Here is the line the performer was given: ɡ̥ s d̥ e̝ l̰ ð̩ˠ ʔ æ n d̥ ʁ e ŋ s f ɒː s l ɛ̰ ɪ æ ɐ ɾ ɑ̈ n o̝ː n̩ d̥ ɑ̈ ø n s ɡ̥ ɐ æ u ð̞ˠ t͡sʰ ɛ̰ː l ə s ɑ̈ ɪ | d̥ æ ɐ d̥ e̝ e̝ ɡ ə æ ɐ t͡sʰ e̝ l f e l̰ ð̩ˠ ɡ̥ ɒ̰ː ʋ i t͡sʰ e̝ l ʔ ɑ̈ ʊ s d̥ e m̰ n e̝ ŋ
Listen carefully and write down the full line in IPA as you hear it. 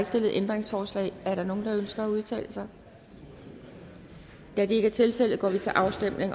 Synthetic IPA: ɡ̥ s d̥ e̝ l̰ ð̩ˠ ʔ e n d̥ ʁ e ŋ s f ɒː s l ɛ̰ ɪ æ ɐ ɾ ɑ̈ n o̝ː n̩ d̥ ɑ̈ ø n s ɡ̥ ɐ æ u ð̞ˠ t͡sʰ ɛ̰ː l ə s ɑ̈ ɪ | d̥ æ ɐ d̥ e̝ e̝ ɡ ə æ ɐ t͡sʰ e̝ l f e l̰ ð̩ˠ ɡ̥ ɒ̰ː ʋ i t͡sʰ e̝ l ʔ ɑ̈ ʊ s d̥ e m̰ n e̝ ŋ